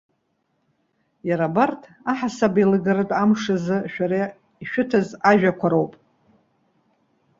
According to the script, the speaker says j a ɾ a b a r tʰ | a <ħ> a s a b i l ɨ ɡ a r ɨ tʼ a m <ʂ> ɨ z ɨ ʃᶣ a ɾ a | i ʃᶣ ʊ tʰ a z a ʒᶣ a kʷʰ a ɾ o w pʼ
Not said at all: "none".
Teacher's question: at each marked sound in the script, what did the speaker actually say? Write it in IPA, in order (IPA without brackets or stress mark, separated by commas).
ħ, ʂ